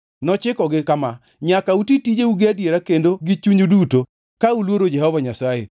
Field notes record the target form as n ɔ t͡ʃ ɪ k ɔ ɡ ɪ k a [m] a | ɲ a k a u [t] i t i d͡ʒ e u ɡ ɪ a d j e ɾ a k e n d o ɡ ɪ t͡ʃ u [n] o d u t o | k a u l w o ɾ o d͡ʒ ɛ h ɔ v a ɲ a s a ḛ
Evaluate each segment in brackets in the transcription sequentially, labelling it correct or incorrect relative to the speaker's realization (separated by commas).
correct, correct, incorrect